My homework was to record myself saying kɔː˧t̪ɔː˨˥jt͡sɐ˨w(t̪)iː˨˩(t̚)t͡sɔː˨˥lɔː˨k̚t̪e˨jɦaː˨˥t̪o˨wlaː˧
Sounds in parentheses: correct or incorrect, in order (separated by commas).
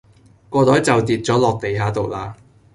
correct, correct